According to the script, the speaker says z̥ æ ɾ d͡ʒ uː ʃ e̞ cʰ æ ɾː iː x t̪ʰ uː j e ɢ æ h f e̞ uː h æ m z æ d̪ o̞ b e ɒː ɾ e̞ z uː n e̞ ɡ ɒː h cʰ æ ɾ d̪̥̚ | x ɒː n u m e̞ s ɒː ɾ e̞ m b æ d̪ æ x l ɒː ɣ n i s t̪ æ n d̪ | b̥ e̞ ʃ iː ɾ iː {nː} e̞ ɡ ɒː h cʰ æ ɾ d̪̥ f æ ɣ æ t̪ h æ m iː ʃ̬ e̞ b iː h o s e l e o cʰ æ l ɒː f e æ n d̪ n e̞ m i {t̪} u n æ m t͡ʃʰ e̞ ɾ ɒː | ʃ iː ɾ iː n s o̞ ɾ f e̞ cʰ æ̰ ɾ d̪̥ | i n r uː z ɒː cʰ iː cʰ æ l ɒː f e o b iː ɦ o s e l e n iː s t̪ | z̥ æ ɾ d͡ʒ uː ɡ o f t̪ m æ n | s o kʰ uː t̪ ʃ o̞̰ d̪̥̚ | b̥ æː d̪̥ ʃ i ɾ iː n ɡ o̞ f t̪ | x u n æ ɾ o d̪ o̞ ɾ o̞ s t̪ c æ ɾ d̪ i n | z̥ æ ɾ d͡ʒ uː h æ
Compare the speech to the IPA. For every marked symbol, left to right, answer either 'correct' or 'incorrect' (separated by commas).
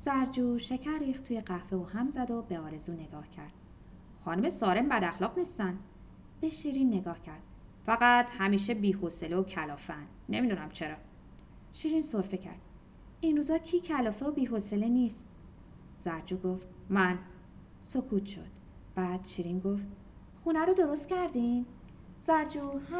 correct, incorrect